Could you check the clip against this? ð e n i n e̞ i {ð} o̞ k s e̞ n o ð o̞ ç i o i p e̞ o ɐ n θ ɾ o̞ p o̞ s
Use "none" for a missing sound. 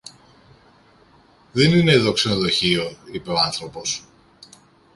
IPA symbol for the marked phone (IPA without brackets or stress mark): ð